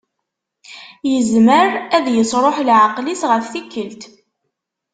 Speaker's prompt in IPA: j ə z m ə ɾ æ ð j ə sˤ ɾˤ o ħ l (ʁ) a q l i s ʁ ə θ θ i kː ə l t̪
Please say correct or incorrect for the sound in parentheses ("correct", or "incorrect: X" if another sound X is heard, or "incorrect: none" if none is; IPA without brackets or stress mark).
incorrect: ʕ